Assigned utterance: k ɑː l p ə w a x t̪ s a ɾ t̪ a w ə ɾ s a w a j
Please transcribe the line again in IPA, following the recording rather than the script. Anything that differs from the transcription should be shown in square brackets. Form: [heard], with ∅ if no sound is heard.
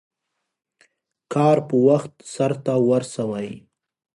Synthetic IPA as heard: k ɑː [ɾ] p ə w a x t̪ s a ɾ t̪ a w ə ɾ s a w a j